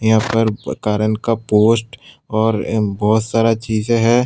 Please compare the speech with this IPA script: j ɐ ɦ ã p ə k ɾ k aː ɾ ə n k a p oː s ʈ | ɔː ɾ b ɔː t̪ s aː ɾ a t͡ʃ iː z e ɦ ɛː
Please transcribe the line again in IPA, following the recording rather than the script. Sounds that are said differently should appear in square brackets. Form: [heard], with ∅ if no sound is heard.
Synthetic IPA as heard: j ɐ ɦ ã p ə [∅] ɾ k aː ɾ ə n k a p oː s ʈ | ɔː ɾ b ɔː t̪ s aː ɾ a t͡ʃ iː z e ɦ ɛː